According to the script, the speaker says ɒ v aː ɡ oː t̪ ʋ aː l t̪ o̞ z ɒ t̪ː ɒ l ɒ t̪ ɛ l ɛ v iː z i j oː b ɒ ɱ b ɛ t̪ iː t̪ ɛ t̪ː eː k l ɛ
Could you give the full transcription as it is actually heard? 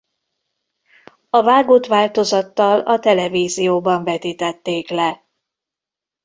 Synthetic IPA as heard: ɒ v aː ɡ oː t̪ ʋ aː l t̪ o̞ z ɒ t̪ː ɒ l ɒ t̪ ɛ l ɛ v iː z i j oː b ɒ ɱ v ɛ t̪ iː t̪ ɛ t̪ː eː k l ɛ